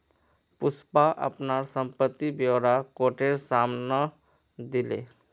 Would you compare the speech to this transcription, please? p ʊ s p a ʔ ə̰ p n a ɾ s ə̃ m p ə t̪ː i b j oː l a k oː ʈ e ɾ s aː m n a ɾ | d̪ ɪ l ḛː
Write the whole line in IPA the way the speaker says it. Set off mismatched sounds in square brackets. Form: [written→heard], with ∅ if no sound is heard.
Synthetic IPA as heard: p ʊ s p a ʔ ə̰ p n a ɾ s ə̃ m p ə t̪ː i b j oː [l→ɾ] a k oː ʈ e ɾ s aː m n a [ɾ→∅] | d̪ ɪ l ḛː